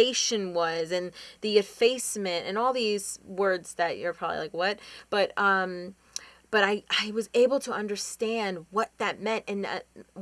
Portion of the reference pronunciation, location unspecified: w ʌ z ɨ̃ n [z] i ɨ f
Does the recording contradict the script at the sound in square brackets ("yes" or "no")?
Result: yes